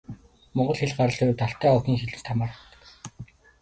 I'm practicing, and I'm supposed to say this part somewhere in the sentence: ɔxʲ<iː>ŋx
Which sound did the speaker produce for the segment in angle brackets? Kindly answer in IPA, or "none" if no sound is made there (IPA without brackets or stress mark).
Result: iː